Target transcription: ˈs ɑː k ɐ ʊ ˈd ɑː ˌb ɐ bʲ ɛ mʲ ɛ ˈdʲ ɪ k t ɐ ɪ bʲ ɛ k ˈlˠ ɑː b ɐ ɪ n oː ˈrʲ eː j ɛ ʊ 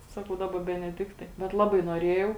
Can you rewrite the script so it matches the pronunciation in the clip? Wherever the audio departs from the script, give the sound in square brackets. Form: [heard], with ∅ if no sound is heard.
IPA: ˈs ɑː k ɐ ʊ ˈd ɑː ˌb ɐ bʲ ɛ [nʲ] ɛ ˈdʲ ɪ k t ɐ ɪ bʲ ɛ [t] ˈlˠ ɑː b ɐ ɪ n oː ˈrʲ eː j ɛ ʊ